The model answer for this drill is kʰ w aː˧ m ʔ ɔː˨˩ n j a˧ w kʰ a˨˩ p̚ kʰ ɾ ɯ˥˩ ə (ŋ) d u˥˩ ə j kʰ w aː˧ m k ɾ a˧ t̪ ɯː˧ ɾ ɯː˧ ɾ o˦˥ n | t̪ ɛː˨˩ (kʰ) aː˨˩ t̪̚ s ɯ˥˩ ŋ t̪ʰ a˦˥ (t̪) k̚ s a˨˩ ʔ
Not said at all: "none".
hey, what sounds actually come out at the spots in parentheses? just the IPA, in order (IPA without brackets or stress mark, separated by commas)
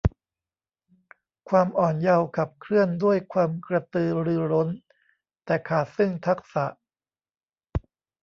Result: n, kʰ, none